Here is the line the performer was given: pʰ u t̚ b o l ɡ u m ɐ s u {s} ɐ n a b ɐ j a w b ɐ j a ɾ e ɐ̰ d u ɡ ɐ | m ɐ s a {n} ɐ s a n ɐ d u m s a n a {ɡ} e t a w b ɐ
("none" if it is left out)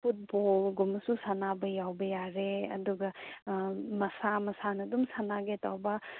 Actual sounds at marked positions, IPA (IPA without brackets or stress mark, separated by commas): s, m, ɡ